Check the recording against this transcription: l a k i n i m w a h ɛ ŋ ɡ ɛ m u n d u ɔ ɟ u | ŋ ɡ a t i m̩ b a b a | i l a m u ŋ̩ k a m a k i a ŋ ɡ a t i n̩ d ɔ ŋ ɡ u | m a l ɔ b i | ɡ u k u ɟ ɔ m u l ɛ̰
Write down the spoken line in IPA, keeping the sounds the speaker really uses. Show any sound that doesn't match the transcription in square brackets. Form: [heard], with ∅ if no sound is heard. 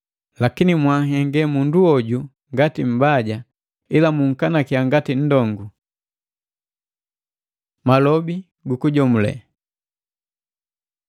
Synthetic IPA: l a k i n i m w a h ɛ ŋ ɡ ɛ m u n d u ɔ ɟ u | ŋ ɡ a t i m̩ b a [ɟ] a | i l a m u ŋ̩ k a [n] a k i a ŋ ɡ a t i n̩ d ɔ ŋ ɡ u | m a l ɔ b i | ɡ u k u ɟ ɔ m u l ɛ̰